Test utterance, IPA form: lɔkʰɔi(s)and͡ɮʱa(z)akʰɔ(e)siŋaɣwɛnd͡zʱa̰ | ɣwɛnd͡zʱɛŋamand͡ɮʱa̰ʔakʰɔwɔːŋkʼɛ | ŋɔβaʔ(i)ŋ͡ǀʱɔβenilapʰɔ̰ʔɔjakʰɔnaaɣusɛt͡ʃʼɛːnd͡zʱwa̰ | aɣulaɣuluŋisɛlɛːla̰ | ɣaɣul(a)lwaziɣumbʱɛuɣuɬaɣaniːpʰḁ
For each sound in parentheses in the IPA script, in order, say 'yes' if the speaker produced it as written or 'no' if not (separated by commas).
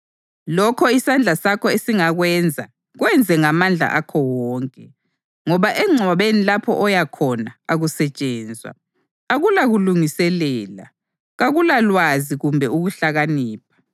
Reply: yes, no, yes, no, yes